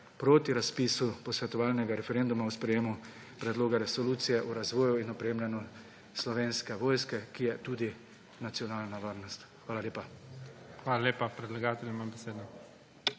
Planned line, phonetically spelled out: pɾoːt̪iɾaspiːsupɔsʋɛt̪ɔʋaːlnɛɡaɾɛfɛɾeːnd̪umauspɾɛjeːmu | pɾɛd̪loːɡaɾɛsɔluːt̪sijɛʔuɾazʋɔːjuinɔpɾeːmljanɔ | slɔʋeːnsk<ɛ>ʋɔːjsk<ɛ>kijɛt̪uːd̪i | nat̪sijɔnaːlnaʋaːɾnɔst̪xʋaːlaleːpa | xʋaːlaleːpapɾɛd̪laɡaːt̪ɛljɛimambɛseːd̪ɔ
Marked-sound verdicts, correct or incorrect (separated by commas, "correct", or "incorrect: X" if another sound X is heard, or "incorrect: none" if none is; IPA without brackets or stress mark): correct, correct